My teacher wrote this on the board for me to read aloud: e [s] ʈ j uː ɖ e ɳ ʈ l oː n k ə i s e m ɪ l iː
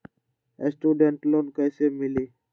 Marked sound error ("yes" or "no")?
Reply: no